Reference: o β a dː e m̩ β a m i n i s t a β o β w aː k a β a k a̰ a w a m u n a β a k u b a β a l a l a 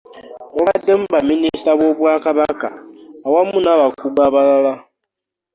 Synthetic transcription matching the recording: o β a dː e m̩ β a m i n i s t a β o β w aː k a β a k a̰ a w a m u n a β a k u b a β a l a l a

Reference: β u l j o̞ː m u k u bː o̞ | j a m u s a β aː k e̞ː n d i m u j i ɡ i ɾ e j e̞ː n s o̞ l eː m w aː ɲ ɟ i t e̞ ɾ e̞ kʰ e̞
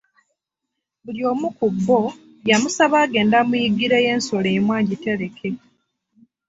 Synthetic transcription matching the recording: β u l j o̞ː m u k u bː o̞ | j a m u s a β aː ɡ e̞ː n d a m u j i ɡ i ɾ e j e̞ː n s o̞ l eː m w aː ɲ ɟ i t e̞ ɾ e̞ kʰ e̞

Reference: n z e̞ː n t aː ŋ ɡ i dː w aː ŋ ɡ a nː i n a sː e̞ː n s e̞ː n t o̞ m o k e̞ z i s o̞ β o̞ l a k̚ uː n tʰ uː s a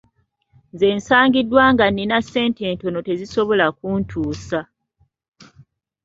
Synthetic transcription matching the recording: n z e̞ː n s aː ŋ ɡ i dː w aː ŋ ɡ a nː i n a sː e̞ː n t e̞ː n t o̞ n o t e̞ z i s o̞ β o̞ l a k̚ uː n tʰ uː s a

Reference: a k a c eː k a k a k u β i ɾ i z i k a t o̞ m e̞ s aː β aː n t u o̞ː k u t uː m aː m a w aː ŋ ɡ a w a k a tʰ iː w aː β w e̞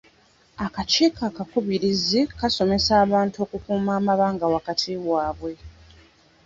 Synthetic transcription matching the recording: a k a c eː k a k a k u β i ɾ i z i k a s o̞ m e̞ s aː β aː n t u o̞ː k u k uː m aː m a β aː ŋ ɡ a w a k a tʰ i w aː β w e̞

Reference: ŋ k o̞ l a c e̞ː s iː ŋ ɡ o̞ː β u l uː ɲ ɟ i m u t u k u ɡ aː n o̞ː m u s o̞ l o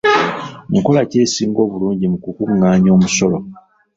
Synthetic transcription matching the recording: ŋ k o̞ l a c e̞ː s iː ŋ ɡ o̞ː β u l uː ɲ ɟ i m u k u k u ŋ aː ɲ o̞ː m u s o̞ l o

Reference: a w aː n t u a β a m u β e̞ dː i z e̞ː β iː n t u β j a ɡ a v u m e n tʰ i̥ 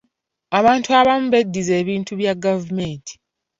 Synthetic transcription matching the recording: a β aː n t u a β a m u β e̞ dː i z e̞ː β iː n t u β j a ɡ a v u m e n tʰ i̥

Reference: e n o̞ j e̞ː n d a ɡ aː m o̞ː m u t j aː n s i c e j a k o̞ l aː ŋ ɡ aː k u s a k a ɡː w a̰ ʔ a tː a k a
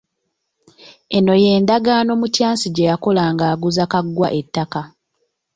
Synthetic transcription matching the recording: e n o̞ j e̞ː n d a ɡ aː n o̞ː m u t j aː n s i ɟ e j a k o̞ l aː ŋ ɡ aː ɡ u z a k a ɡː w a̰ ʔ e tː a k a

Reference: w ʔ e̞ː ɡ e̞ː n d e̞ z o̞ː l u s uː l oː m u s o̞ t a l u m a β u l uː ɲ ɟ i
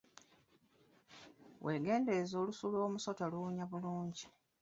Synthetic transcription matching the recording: w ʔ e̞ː ɡ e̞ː n d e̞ z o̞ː l u s u l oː m u s o̞ t a l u ɲ a β u l uː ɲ ɟ i

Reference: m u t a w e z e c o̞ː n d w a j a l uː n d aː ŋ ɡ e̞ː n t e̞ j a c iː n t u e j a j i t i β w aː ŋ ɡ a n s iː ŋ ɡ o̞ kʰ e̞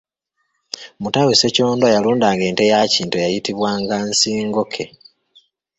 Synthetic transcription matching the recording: m u t a w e s e c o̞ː n d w a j a l uː n d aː ŋ ɡ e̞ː n t e̞ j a c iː n t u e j a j i t i β w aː ŋ ɡ a n s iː ŋ ɡ o̞ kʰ e̞

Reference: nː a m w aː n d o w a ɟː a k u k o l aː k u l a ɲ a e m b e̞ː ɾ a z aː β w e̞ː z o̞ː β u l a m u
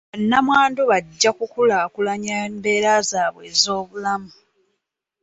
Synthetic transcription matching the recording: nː a m w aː n d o β a ɟː a k u k u l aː k u l a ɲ a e m b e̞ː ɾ a z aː β w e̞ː z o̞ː β u l a m u

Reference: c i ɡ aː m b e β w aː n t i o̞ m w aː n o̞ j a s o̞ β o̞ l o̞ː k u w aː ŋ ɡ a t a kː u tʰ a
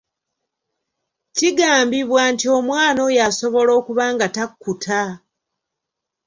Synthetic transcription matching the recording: c i ɡ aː m b i β w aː n t i o̞ m w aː n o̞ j a s o̞ β o̞ l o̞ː k u β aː ŋ ɡ a t a kː u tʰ a

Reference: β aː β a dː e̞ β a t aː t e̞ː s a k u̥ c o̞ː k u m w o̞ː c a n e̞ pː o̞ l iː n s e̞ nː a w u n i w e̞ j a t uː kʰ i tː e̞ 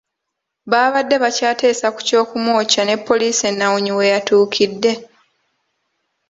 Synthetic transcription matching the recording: β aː β a dː e̞ β a c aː t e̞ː s a k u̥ c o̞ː k u m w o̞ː c a n e̞ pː o̞ l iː s e̞ nː a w u ɲ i w e̞ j a t uː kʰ i dː e̞

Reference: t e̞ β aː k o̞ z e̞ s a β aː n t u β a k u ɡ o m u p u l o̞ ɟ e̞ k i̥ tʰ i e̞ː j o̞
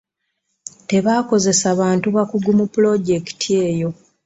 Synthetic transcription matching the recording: t e̞ β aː k o̞ z e̞ s a β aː n t u β a k u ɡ u m u p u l o̞ ɟ e̞ k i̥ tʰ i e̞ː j o̞

